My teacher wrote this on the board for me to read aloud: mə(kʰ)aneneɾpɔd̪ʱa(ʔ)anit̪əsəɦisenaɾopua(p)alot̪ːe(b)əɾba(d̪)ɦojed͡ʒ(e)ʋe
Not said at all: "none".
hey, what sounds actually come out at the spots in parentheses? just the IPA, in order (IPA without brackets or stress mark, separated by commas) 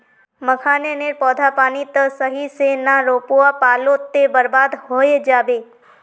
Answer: kʰ, p, p, b, d̪, a